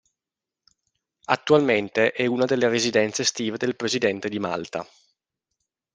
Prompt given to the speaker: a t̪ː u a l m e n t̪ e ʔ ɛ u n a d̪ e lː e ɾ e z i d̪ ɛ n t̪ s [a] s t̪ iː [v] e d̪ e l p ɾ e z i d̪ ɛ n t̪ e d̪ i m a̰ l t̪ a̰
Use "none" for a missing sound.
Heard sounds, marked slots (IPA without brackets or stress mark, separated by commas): e, v